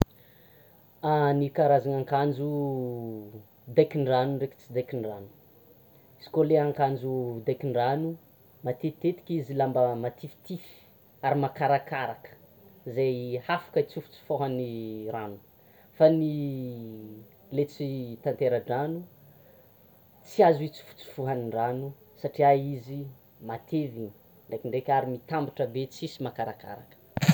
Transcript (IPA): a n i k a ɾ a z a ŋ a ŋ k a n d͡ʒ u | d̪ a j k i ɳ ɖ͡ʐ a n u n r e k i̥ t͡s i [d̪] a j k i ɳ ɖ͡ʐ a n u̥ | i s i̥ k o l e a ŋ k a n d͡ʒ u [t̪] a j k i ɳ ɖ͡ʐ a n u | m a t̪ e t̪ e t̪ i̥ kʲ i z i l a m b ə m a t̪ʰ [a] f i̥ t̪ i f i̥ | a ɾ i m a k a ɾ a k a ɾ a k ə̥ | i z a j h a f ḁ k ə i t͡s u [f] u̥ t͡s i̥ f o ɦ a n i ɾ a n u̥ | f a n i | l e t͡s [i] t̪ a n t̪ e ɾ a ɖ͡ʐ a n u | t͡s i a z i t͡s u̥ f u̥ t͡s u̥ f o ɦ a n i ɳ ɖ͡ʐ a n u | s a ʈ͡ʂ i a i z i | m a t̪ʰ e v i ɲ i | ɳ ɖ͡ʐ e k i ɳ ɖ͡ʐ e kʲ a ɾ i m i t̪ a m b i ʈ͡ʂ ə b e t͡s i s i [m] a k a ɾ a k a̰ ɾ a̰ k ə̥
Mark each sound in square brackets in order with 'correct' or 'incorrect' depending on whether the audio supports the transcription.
correct, incorrect, incorrect, correct, correct, correct

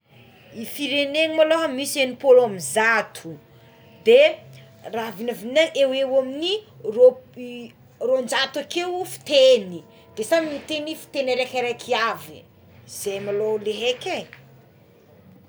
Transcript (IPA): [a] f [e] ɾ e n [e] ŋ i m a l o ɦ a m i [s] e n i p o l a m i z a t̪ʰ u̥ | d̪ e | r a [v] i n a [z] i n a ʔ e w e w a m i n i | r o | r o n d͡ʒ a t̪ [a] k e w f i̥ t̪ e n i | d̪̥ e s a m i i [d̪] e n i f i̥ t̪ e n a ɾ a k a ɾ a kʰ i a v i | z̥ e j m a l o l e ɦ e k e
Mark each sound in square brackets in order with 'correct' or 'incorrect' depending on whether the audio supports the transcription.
incorrect, incorrect, correct, correct, correct, incorrect, correct, incorrect

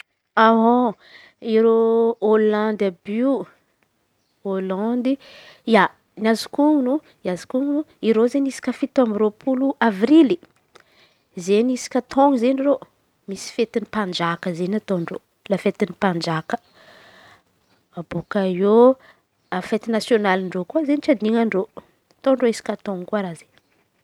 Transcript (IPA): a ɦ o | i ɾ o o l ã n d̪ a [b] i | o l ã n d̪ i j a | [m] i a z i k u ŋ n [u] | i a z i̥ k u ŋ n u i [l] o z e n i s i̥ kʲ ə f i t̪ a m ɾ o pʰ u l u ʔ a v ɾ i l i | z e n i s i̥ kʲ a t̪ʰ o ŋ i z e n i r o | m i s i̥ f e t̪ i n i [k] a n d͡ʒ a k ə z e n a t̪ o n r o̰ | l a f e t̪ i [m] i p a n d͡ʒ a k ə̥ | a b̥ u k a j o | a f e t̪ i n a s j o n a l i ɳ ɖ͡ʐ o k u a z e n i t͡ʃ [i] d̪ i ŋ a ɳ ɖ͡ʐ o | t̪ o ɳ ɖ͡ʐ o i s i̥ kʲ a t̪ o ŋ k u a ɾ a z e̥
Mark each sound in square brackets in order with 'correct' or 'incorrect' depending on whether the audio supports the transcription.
correct, incorrect, correct, incorrect, incorrect, incorrect, incorrect

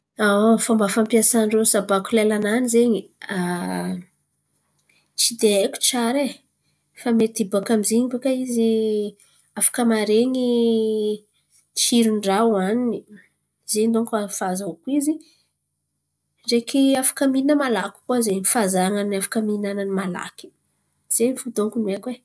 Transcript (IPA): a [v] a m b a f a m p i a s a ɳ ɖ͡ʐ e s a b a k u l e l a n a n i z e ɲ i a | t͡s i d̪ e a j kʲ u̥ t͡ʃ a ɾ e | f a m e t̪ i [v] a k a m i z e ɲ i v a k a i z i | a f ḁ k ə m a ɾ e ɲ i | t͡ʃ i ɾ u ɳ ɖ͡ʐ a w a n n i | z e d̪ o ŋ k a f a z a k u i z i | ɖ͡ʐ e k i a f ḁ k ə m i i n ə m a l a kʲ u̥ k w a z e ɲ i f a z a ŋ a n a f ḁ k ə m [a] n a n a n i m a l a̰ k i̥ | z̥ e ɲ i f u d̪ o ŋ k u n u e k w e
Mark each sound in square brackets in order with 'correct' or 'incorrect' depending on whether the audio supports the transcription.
incorrect, incorrect, incorrect

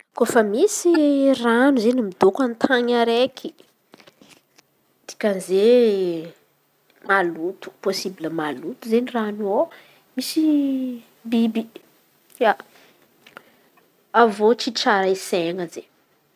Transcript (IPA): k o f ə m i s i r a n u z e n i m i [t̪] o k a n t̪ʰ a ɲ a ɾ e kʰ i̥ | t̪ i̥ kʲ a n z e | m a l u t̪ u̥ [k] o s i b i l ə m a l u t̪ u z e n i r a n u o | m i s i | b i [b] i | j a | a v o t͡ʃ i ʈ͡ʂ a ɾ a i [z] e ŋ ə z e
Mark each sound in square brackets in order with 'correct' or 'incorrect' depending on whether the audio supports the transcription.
incorrect, incorrect, correct, incorrect

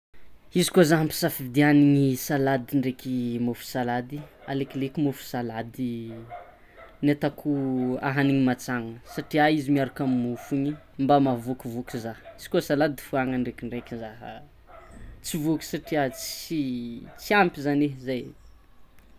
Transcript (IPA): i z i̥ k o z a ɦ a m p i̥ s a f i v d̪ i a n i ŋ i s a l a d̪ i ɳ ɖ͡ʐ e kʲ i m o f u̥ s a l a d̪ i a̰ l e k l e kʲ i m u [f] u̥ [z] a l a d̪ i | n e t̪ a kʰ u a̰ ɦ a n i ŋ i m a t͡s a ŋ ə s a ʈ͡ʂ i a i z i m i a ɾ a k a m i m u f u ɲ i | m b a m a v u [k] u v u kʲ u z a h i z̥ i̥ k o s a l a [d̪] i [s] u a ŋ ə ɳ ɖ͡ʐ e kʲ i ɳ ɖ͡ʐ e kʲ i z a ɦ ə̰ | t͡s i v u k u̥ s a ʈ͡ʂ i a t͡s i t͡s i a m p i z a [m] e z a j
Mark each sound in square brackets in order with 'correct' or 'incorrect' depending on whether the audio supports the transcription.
correct, incorrect, correct, correct, incorrect, incorrect

